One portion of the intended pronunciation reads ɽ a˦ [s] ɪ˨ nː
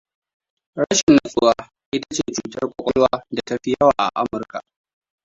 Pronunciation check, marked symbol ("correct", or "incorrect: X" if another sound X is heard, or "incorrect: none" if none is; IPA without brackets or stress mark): incorrect: ʃ